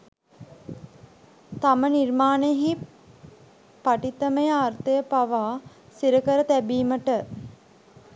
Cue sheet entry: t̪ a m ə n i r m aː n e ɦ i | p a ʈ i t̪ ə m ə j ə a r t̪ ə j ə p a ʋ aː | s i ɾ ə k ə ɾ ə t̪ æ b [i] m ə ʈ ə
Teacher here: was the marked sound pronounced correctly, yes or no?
no